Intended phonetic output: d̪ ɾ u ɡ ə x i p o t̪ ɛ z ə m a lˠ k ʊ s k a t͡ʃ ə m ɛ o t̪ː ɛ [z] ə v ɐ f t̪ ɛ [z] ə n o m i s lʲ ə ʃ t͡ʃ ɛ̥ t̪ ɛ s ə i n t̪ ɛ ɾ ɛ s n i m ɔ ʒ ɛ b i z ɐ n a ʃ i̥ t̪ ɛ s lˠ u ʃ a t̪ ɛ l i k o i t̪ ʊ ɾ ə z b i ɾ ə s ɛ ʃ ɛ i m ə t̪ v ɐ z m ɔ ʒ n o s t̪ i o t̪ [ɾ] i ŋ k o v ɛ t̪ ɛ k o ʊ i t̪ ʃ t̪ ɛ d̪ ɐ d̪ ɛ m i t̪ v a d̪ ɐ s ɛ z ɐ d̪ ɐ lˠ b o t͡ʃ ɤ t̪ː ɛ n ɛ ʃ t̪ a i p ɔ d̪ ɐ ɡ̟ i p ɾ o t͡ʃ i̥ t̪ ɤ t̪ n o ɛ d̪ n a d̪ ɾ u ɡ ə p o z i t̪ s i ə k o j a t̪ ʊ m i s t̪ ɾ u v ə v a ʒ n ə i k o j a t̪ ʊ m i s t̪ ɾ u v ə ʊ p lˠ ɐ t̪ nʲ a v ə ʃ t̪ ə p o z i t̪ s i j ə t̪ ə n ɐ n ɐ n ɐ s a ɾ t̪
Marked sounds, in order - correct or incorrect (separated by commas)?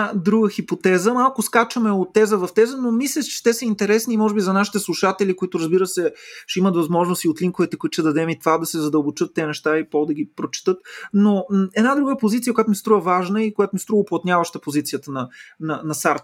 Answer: correct, correct, incorrect